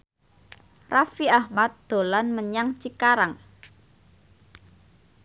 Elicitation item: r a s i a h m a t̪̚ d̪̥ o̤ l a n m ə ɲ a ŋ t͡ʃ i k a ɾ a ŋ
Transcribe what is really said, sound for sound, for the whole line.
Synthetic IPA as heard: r a f i a h m a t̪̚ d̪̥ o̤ l a n m ə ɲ a ŋ t͡ʃ i k a ɾ a ŋ